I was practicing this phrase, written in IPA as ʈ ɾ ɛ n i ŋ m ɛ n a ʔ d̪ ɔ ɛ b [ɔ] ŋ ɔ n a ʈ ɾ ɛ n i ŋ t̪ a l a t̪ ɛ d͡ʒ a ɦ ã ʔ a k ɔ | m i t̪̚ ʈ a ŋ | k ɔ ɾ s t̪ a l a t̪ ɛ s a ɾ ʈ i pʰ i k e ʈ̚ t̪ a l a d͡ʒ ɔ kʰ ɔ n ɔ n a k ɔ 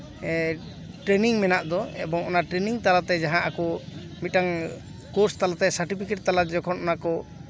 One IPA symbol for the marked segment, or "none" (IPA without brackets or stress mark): ɔ